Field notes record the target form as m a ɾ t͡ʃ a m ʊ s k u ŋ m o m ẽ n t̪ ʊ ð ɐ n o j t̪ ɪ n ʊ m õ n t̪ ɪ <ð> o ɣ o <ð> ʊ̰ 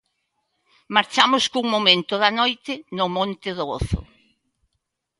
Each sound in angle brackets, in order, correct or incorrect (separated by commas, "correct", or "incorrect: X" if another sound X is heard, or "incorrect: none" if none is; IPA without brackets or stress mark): correct, incorrect: θ